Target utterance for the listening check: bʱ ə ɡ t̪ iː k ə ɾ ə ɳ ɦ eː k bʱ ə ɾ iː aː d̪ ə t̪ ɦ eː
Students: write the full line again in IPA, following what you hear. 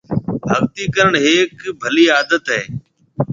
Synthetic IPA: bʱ ə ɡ t̪ iː k ə ɾ ə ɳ ɦ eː k bʱ ə l iː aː d̪ ə t̪ ɦ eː